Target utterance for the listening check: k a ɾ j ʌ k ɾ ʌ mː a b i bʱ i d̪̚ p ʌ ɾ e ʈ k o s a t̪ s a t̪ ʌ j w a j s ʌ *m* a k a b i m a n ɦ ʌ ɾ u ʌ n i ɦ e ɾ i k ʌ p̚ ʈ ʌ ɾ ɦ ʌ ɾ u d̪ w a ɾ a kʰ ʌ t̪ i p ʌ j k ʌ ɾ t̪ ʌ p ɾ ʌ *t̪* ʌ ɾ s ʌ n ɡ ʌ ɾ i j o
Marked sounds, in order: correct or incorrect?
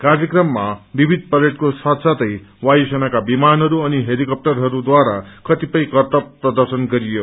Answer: incorrect, incorrect

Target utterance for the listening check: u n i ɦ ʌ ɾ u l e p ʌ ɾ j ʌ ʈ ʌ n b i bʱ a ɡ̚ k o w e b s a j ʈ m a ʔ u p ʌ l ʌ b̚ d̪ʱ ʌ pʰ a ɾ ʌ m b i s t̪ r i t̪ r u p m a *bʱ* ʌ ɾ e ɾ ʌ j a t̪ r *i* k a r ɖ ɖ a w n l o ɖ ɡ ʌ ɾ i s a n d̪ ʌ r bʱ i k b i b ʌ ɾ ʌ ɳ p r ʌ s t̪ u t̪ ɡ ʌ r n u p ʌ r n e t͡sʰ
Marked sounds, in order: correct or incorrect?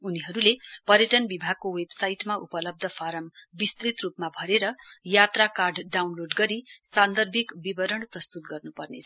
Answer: correct, incorrect

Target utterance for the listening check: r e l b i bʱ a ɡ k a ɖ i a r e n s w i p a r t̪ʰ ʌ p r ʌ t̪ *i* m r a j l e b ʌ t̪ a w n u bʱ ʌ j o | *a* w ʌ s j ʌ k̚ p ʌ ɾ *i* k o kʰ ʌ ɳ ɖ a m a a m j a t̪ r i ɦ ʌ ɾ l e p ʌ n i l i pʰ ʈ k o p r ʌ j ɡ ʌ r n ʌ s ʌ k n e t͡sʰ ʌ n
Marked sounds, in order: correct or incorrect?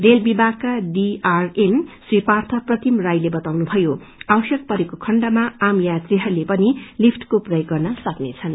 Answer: correct, correct, incorrect

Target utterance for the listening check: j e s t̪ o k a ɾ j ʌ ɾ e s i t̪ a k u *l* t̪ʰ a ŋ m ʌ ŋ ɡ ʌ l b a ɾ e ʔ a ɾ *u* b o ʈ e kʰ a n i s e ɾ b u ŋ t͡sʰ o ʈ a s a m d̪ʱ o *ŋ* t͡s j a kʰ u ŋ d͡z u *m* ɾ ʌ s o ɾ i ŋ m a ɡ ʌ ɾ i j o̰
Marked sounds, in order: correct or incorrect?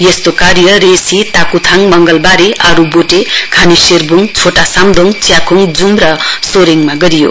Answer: incorrect, correct, correct, correct

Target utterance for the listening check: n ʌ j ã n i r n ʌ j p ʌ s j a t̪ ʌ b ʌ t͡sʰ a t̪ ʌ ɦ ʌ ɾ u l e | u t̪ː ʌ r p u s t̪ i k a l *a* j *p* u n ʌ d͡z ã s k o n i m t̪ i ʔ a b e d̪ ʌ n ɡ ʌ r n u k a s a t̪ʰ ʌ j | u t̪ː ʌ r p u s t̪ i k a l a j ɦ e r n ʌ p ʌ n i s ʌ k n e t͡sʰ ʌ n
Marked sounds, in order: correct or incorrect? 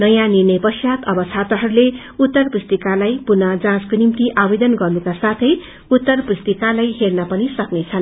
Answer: correct, correct

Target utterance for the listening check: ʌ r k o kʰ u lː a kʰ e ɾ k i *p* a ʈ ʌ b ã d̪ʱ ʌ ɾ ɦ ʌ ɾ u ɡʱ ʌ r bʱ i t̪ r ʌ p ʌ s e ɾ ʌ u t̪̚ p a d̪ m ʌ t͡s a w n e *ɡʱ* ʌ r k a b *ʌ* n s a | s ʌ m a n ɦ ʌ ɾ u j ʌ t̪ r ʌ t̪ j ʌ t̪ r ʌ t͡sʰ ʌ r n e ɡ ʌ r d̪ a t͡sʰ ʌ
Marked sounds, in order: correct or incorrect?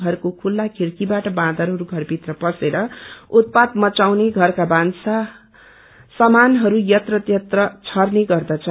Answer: incorrect, correct, incorrect

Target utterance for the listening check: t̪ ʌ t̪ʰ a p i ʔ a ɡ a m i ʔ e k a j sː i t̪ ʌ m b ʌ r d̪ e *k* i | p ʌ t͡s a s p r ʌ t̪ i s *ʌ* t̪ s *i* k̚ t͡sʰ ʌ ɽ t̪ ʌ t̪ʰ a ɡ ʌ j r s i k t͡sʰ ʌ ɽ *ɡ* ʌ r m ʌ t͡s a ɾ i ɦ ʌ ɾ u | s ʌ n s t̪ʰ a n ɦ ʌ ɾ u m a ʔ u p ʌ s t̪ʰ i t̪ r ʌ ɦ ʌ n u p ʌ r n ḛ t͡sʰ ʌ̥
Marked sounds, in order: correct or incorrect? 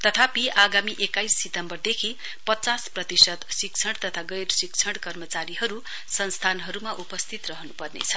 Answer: incorrect, correct, correct, incorrect

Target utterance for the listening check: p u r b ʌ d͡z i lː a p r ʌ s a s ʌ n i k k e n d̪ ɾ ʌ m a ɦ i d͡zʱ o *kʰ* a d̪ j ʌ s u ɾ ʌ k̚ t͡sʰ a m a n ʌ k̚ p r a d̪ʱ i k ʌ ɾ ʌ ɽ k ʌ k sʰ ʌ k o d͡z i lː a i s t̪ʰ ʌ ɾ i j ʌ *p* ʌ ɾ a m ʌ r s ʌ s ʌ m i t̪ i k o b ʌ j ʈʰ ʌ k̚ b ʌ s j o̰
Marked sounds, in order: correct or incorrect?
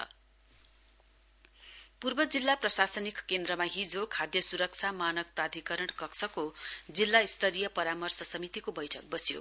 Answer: correct, correct

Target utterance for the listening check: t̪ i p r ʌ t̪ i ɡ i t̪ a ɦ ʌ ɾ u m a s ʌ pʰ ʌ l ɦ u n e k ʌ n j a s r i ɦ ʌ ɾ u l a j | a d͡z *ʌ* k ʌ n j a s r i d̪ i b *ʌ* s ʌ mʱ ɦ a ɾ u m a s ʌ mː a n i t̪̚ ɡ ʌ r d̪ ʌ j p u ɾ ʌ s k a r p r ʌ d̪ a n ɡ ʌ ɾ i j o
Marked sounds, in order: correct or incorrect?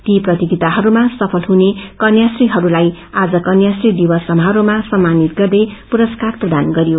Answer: correct, correct

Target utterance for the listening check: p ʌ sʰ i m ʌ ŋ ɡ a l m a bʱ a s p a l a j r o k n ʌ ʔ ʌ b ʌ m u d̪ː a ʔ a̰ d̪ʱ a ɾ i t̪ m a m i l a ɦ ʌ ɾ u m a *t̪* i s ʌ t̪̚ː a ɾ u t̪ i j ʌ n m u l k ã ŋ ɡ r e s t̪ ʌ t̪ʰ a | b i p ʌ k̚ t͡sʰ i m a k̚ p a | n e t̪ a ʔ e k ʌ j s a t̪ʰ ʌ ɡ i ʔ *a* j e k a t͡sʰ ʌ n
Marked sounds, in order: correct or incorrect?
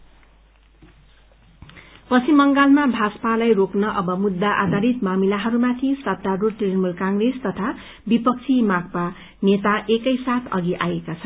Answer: incorrect, correct

